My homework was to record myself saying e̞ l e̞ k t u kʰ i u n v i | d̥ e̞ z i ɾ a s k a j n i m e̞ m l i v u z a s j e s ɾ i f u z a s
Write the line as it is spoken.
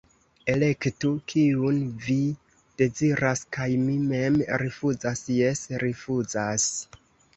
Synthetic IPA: e̞ l e̞ k t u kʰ i u n v i | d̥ e̞ z i ɾ a s k a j m i m e̞ m ɾ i f u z a s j e s ɾ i f u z a s